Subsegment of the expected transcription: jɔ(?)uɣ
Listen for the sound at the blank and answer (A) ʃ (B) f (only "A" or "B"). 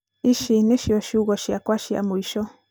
A